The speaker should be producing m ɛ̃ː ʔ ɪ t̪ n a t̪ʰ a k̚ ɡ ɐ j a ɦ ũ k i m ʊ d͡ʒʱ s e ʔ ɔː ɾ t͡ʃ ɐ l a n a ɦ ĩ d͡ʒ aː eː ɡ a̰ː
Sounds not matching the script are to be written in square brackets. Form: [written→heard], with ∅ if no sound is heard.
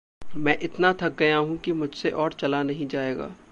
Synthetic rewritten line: m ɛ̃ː ʔ ɪ t̪ n a t̪ʰ [a→ɐ] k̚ ɡ ɐ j a ɦ ũ k i m ʊ d͡ʒʱ s e ʔ ɔː ɾ t͡ʃ ɐ l a n [a→ɐ] ɦ ĩ d͡ʒ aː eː ɡ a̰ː